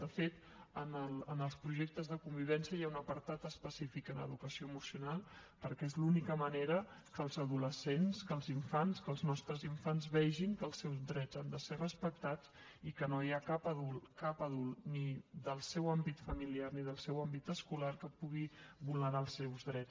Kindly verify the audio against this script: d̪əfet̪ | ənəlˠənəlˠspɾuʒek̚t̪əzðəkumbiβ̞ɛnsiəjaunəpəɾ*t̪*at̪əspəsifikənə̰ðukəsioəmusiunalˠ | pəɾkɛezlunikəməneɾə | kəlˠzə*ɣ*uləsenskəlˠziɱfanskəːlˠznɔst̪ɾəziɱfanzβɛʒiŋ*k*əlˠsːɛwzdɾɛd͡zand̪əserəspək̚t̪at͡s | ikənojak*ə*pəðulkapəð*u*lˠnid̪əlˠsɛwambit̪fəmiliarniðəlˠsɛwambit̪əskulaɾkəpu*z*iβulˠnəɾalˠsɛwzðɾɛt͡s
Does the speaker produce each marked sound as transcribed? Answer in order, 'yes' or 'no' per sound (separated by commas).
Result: yes, no, yes, no, yes, no